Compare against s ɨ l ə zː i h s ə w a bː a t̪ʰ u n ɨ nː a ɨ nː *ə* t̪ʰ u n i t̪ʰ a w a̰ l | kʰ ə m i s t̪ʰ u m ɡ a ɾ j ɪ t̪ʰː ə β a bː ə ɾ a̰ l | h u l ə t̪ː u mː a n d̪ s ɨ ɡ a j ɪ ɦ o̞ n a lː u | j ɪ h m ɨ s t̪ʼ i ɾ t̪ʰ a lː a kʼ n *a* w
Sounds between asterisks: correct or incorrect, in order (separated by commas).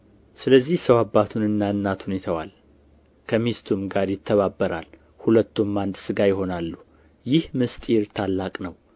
incorrect, incorrect